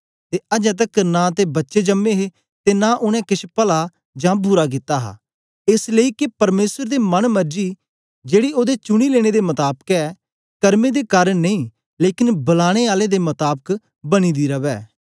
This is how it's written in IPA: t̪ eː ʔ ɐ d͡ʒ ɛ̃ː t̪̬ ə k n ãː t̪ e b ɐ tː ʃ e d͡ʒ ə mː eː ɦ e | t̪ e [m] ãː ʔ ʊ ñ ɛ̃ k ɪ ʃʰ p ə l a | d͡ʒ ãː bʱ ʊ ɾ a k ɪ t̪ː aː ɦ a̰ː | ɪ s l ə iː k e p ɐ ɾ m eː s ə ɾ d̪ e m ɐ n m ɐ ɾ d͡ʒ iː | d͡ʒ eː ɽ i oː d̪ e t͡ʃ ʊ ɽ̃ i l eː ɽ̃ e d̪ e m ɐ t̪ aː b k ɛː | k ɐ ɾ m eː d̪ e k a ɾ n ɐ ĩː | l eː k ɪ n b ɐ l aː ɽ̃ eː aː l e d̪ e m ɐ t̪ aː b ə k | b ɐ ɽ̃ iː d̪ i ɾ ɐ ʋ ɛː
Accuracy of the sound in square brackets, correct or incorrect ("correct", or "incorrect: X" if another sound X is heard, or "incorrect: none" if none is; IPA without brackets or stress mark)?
incorrect: n